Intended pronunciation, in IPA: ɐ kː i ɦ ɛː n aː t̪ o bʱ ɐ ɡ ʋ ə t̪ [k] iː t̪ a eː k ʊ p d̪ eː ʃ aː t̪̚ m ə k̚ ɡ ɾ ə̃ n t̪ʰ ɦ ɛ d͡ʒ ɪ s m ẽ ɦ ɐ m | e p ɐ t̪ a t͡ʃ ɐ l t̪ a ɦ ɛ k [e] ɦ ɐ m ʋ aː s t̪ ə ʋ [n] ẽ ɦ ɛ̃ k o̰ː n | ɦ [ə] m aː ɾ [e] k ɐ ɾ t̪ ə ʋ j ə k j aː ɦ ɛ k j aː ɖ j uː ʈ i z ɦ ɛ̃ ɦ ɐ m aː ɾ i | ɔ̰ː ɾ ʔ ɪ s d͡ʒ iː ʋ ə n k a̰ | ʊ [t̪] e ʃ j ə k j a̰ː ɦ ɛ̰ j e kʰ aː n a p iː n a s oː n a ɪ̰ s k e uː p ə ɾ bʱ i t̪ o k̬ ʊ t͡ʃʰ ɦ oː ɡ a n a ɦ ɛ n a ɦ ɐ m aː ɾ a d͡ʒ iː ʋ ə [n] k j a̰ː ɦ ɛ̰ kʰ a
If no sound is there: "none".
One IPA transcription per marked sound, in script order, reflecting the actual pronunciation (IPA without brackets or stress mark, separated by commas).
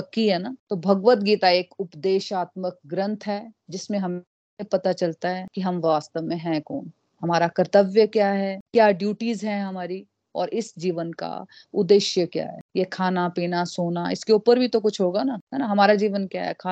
ɡ, i, m, ɐ, a, d̪, n